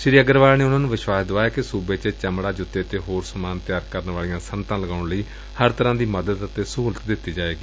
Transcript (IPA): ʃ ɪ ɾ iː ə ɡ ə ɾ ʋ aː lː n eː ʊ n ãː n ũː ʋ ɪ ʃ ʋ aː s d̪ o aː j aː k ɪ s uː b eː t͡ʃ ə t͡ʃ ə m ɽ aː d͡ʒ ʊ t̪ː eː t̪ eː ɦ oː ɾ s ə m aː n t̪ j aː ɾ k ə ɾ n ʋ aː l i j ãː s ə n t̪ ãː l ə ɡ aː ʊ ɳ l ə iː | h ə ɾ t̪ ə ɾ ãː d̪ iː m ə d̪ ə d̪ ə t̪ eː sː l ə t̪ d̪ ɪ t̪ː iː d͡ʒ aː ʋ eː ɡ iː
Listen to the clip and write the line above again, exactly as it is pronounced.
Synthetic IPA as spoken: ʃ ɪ ɾ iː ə ɡ ə ɾ ʋ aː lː n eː ʊ n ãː n ũː ʋ ɪ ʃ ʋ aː s d̪ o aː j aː k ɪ s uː b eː t͡ʃ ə t͡ʃ ə m ɽ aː d͡ʒ ʊ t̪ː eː t̪ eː ɦ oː ɾ s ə m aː n t̪ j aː ɾ k ə ɾ n ʋ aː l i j ãː s ə n t̪ ãː l ə ɡ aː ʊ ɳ l ə iː | h ə ɾ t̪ ə ɾ ãː d̪ iː m ə d̪ ə d̪ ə t̪ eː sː l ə t̪ d̪ ɪ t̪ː iː d͡ʒ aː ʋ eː ɡ iː